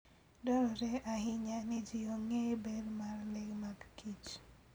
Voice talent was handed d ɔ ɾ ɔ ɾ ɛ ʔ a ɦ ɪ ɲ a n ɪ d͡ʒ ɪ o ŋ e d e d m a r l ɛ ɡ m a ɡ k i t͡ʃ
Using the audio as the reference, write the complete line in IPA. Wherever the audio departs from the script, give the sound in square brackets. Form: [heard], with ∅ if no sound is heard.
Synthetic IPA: d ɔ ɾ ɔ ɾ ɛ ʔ a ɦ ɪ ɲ a n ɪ d͡ʒ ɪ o ŋ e [b] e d m a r l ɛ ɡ m a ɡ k i t͡ʃ